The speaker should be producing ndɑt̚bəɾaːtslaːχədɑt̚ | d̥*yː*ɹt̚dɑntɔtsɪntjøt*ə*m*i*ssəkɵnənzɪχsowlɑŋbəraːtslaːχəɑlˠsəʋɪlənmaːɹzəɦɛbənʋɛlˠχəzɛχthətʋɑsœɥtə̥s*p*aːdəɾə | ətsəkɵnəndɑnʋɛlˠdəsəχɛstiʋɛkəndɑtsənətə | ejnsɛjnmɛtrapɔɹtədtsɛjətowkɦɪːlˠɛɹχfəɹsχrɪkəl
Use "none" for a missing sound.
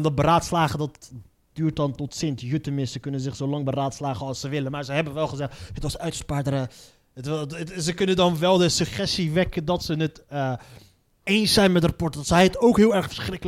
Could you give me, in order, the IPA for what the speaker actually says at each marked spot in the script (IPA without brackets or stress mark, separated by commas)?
yː, ə, ɪ, p